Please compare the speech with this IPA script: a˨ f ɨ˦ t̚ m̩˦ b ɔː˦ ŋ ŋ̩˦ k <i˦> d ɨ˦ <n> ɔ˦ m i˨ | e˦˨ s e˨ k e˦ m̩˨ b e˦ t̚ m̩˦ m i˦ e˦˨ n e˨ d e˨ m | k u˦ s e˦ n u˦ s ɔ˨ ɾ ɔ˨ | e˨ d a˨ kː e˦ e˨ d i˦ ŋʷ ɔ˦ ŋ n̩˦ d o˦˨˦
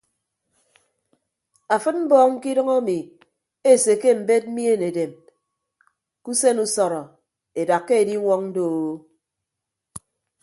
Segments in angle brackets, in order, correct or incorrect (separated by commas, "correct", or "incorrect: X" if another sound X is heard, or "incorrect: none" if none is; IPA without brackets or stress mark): correct, incorrect: ŋ